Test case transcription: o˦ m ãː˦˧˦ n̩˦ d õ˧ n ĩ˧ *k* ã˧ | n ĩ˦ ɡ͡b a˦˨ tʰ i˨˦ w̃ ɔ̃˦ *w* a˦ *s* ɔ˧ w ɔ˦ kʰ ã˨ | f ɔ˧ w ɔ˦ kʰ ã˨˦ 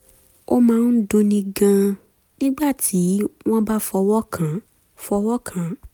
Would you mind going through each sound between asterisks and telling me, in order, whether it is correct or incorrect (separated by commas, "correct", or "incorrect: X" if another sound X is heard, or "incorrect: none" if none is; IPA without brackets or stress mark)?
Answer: incorrect: ɡ, incorrect: b, incorrect: f